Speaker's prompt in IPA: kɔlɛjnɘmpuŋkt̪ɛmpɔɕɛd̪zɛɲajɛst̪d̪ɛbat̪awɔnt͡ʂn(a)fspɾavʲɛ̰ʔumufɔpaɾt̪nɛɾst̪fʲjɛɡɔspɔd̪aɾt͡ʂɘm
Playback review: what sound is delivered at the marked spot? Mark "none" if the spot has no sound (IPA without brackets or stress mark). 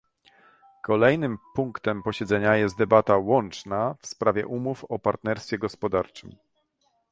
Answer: a